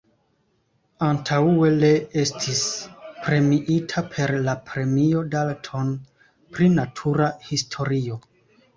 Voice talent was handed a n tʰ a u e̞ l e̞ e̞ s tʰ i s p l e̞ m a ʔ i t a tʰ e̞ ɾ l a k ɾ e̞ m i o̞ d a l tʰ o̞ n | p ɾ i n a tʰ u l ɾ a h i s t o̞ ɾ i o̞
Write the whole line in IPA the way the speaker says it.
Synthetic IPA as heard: a n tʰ a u e̞ l e̞ e̞ s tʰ i s p ɾ e̞ m i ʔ i tʰ a pʰ e̞ ɾ l a p ɾ e̞ m i o̞ d a l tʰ o̞ n | p ɾ i n a tʰ u ɾ a h i s tʰ o̞ ɾ i o̞